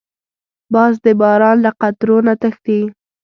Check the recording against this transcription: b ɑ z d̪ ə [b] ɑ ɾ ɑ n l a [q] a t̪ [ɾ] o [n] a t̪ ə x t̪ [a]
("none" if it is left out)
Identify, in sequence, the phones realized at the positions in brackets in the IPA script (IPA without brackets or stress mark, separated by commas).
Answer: b, q, ɾ, n, i